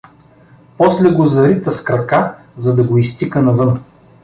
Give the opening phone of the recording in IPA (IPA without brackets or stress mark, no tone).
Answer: p